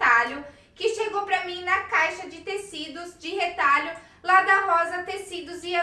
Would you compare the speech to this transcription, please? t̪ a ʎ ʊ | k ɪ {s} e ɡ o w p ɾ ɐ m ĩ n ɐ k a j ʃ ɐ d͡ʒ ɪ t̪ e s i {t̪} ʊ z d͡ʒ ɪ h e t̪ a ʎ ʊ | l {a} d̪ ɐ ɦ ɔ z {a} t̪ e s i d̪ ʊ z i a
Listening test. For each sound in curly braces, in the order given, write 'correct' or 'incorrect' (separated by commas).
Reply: incorrect, incorrect, correct, incorrect